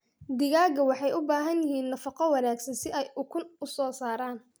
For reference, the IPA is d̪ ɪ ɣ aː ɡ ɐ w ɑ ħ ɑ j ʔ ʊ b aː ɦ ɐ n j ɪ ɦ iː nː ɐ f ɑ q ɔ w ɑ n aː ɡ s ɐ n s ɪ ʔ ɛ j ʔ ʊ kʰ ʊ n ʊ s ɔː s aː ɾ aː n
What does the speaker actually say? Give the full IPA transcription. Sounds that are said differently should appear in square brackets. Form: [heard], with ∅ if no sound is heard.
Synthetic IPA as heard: d̪ ɪ ɣ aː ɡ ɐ w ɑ ħ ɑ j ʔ ʊ b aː ɦ ɐ n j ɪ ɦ iː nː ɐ f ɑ q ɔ w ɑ n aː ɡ s ɐ n s ɪ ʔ ɛ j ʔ ʊ kʰ ʊ n ʊ s ɔː s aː ɾ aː n